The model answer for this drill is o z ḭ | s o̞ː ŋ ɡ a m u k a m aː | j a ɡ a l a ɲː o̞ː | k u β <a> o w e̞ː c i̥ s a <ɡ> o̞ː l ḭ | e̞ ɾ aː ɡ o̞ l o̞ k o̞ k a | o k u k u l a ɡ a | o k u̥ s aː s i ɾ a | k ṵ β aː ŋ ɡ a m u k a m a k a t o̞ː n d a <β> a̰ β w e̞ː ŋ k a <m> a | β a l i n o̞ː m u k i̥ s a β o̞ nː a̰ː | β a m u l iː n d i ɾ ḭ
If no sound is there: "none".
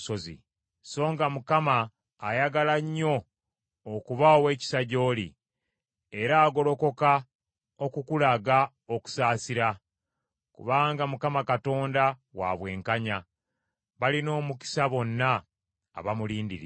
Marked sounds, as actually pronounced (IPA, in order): a, ɟ, w, ɲ

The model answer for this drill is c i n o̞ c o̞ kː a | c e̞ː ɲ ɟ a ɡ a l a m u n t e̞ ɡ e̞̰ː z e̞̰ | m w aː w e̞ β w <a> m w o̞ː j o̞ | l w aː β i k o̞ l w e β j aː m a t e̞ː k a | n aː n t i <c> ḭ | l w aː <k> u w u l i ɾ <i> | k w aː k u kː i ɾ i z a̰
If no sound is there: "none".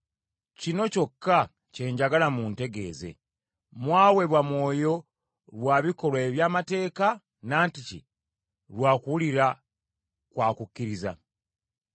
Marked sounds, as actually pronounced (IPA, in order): a, c, k, a

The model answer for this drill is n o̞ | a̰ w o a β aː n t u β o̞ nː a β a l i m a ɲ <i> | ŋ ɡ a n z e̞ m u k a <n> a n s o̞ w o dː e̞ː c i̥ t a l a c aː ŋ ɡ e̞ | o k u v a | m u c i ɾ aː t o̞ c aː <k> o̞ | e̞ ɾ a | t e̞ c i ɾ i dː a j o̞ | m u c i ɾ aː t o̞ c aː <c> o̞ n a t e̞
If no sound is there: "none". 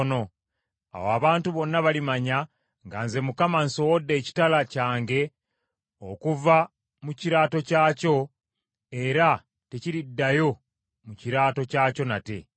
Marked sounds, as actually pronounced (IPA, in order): a, m, c, c

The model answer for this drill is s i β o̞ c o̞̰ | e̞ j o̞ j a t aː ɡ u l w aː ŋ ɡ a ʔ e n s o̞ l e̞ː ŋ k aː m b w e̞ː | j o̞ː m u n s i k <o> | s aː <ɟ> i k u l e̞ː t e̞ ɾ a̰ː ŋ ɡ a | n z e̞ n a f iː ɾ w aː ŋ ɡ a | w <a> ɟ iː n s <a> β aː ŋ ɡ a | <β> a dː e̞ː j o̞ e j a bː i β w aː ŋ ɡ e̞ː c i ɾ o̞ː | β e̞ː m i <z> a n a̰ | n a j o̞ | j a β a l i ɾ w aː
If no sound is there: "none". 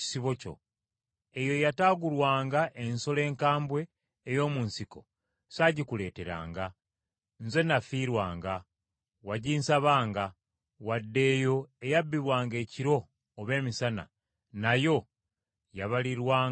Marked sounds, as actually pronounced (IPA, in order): o, ɟ, a, a, w, s

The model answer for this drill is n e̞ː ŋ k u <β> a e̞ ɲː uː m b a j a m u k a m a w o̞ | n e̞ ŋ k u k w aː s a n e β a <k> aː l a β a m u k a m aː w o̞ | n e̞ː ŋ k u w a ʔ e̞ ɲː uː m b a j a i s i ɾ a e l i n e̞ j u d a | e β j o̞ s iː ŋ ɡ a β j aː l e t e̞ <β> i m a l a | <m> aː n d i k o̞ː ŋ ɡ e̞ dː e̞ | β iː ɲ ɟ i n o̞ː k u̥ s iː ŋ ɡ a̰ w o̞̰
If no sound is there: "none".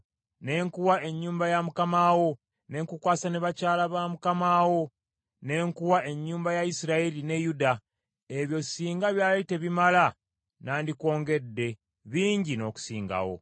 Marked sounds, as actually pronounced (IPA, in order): w, c, β, n

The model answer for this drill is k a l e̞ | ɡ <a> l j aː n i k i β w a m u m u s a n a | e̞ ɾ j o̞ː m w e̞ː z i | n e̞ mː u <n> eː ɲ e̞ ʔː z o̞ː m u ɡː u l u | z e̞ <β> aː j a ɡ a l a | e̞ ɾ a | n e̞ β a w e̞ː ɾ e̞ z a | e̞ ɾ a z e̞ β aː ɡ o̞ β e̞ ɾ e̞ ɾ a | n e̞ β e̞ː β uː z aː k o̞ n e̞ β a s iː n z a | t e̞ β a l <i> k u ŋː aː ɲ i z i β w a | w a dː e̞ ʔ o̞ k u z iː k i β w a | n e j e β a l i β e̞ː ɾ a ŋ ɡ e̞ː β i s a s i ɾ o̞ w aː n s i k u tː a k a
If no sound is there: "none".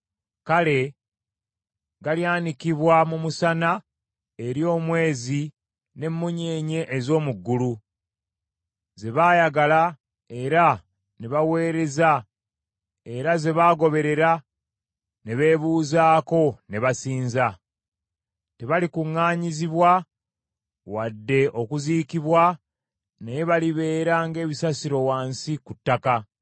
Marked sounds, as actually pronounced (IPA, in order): a, ɲ, β, i

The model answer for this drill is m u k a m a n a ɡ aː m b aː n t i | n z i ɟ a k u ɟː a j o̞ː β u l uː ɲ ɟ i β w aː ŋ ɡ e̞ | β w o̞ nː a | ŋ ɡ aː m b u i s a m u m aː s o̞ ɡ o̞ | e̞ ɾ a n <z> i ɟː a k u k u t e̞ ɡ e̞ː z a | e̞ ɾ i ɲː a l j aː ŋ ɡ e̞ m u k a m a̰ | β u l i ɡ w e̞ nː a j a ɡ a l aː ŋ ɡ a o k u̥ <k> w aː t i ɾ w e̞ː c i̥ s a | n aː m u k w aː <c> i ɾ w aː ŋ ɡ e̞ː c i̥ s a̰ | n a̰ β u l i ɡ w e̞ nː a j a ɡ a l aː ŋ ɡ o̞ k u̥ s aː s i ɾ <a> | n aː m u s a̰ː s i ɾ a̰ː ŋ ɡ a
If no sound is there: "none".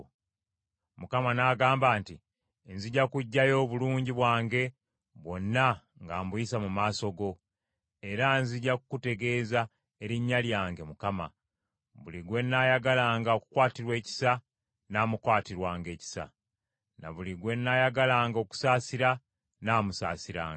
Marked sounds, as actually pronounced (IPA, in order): z, k, t, a

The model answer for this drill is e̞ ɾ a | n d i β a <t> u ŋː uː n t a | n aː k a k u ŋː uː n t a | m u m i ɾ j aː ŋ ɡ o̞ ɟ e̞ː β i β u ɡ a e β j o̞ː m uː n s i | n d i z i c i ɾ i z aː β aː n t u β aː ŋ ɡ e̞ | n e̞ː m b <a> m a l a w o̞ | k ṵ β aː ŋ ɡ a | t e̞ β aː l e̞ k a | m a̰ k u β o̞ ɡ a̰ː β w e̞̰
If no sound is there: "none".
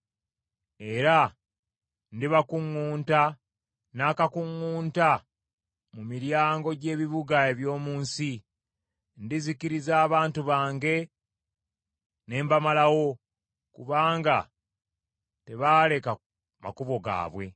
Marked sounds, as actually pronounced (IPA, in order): k, a

